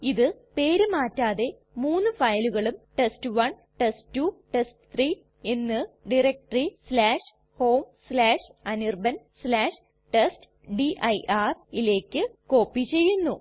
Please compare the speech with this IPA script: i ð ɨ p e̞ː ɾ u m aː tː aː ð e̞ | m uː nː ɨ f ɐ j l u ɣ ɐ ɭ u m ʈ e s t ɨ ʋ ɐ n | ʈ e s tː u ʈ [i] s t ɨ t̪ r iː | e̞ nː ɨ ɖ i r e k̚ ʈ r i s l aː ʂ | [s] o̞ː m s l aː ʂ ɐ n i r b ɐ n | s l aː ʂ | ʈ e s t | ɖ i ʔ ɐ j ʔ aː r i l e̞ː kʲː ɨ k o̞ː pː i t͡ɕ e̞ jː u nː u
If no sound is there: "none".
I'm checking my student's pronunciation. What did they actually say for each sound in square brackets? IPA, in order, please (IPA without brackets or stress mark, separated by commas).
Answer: e, h